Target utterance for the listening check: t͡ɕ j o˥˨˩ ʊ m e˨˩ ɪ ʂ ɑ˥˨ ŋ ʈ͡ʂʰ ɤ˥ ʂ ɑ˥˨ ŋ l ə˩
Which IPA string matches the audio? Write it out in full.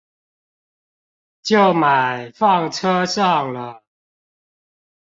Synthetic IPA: t͡ɕ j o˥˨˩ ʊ m a˨˩ ɪ f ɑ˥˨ ŋ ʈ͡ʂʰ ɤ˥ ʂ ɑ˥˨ ŋ l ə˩